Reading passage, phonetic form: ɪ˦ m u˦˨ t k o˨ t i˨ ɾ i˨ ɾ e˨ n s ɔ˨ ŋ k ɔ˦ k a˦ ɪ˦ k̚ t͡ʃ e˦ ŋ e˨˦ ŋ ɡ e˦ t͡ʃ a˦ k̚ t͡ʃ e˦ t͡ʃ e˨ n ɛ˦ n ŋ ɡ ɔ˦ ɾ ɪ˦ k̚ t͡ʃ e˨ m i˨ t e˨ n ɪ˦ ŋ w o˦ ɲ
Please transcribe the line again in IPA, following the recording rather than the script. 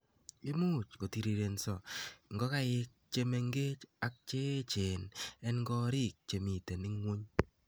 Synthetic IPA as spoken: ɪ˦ m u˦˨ t͡ʃ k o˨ t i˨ ɾ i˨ ɾ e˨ n s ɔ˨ ŋ ɡ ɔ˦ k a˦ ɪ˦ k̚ t͡ʃ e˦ m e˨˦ ŋ ɡ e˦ t͡ʃ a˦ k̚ t͡ʃ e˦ t͡ʃ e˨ n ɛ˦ n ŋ ɡ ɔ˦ ɾ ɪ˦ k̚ t͡ʃ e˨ m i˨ t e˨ n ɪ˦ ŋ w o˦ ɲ